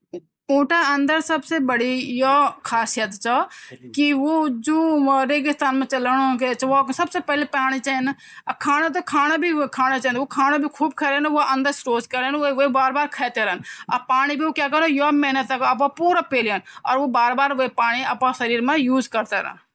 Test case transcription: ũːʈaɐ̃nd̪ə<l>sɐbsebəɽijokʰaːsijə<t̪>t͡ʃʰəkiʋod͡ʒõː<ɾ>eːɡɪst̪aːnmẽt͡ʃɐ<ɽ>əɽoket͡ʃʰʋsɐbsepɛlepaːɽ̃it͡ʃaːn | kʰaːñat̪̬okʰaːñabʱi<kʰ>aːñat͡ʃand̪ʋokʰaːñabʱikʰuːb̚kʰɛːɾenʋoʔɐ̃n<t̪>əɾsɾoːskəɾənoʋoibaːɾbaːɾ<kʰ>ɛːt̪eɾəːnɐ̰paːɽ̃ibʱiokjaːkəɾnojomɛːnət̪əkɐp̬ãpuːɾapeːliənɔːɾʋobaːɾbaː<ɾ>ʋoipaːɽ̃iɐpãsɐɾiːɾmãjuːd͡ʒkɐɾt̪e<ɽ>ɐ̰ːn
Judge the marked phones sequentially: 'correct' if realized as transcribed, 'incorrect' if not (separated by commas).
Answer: incorrect, correct, correct, incorrect, correct, incorrect, correct, correct, incorrect